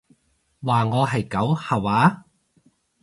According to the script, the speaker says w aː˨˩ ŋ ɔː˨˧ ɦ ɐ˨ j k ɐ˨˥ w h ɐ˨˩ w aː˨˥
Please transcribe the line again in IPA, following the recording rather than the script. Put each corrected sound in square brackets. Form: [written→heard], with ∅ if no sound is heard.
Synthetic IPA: w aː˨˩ ŋ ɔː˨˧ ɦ ɐ˨ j k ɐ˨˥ w h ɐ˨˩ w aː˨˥